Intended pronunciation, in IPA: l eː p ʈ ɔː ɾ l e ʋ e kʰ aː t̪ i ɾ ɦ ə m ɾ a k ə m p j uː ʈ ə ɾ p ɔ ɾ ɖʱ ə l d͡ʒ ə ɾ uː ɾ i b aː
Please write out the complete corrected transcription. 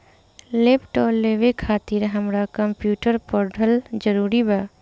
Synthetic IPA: l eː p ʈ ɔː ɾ l e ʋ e kʰ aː t̪ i ɾ ɦ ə m ɾ a k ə m p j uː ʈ ə ɾ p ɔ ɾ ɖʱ ə l d͡ʒ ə ɾ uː ɾ i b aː